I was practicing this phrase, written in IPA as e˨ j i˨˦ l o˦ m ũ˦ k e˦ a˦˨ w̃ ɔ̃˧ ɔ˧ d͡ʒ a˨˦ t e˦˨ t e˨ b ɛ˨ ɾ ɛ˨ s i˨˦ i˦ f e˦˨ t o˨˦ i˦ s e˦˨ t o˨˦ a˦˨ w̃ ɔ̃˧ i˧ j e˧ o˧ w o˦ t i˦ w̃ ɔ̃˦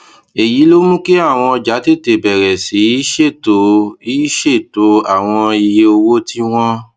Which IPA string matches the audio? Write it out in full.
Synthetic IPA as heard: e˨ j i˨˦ l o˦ m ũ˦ k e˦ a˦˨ w̃ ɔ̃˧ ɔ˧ d͡ʒ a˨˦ t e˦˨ t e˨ b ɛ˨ ɾ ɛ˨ s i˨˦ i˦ ʃ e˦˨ t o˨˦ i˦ ʃ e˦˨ t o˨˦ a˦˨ w̃ ɔ̃˧ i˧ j e˧ o˧ w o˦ t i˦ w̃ ɔ̃˦